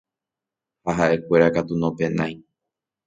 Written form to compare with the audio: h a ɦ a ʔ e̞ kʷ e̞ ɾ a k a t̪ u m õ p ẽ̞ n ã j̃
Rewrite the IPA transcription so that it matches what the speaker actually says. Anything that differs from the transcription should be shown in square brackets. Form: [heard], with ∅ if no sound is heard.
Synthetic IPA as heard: h a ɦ a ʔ e̞ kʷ e̞ ɾ a k a t̪ u [n] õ p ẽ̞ n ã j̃